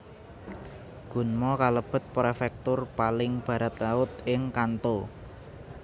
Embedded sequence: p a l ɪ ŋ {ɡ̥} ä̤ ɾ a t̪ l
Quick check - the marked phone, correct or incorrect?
incorrect